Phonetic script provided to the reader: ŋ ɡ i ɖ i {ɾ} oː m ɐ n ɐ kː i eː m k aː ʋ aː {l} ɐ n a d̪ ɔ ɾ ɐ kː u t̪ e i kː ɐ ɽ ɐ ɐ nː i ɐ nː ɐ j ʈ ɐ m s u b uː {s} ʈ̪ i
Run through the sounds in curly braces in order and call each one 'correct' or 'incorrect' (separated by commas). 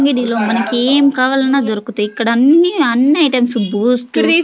incorrect, correct, correct